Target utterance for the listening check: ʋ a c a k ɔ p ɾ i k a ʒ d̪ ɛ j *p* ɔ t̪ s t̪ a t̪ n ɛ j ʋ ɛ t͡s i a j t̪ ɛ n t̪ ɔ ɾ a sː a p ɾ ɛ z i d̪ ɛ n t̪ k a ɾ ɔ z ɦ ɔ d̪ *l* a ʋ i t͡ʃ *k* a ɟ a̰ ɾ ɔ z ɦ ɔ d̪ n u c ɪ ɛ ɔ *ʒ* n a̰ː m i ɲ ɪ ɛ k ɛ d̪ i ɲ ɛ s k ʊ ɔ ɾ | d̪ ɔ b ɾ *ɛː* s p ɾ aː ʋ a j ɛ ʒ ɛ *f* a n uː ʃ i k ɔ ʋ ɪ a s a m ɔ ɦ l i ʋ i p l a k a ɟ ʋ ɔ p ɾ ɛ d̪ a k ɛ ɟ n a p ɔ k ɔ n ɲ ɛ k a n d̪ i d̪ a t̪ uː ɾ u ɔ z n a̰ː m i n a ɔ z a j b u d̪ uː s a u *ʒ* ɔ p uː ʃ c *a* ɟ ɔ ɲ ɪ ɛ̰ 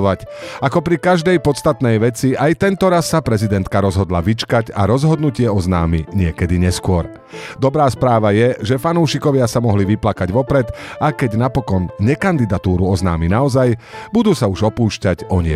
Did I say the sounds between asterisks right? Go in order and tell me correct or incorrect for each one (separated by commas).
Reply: correct, correct, correct, incorrect, incorrect, correct, correct, correct